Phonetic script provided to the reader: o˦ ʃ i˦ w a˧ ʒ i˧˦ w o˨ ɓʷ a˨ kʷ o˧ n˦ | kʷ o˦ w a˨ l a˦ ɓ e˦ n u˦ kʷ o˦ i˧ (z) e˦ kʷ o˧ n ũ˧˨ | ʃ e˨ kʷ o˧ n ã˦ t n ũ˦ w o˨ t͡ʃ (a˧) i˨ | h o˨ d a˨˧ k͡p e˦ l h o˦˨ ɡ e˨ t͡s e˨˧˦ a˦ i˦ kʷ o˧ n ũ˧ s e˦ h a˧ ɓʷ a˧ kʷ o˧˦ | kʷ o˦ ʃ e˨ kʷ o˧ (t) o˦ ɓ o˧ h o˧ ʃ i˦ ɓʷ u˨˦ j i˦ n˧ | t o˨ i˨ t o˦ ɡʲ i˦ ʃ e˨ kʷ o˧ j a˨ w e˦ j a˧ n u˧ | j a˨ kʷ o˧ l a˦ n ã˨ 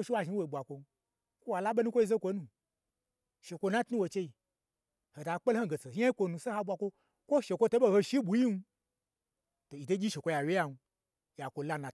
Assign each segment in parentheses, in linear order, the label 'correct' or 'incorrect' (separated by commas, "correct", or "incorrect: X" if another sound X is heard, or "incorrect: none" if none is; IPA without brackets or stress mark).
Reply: correct, incorrect: e˧, correct